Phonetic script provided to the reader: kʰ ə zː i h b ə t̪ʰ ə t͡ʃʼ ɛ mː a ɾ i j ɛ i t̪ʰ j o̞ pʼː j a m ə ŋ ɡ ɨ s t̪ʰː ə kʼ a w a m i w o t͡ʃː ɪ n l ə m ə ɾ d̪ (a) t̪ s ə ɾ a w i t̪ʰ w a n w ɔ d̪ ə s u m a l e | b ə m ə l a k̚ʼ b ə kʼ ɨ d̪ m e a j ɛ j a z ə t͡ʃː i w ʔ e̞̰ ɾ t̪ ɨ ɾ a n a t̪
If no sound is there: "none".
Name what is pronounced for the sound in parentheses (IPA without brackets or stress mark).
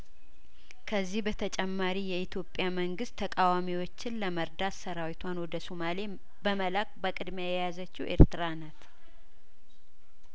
a